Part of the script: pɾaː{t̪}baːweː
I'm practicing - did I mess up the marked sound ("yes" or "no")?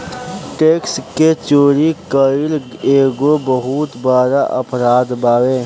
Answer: yes